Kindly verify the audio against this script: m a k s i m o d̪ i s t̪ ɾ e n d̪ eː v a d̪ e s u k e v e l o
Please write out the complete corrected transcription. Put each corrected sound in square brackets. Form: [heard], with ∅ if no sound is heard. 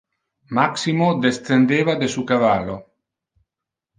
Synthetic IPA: m a k s i m o d̪ [e] s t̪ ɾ e n d̪ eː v a d̪ e s u k [a] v [a] l o